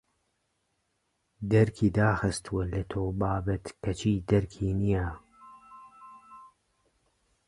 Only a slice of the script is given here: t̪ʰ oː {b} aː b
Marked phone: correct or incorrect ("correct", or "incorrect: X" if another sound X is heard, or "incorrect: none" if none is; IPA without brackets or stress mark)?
correct